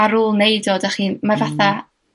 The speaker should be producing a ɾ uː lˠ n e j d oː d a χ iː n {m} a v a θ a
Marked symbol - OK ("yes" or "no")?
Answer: yes